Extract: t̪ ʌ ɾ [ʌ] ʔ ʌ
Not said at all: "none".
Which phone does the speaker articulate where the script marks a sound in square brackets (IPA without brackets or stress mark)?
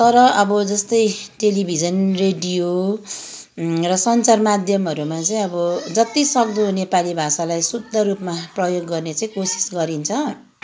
ʌ